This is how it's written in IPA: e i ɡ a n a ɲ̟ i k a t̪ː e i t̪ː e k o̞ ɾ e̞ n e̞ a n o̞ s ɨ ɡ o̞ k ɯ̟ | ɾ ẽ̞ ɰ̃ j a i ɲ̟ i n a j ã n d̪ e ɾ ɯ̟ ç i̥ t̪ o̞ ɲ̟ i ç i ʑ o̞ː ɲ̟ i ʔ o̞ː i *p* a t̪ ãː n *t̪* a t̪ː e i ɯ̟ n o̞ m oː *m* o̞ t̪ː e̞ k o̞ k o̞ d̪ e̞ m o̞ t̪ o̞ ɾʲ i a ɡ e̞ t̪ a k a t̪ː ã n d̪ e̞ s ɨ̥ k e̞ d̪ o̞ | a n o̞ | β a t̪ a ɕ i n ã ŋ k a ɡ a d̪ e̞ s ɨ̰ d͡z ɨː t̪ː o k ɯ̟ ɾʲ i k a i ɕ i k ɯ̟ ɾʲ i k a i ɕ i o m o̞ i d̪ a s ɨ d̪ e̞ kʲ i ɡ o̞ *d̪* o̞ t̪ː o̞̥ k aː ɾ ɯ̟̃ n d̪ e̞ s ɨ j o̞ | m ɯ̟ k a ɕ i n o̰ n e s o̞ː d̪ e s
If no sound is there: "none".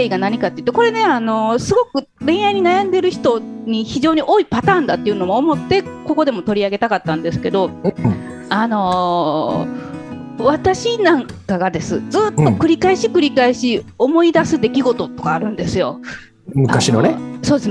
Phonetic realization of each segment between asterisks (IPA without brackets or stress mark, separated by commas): p, d̪, m, t̪